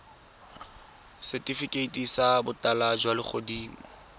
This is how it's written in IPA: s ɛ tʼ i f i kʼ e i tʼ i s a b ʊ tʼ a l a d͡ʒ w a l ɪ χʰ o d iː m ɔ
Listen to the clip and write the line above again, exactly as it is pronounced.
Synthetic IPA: s ɛ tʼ i f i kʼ e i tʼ i s a b ʊ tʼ a l a d͡ʒ w a l ɪ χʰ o d iː m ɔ